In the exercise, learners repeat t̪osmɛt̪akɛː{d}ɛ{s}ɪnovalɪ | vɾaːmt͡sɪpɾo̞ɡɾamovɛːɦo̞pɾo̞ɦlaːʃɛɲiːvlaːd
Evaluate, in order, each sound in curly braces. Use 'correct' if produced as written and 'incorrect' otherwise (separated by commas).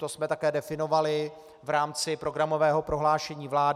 correct, incorrect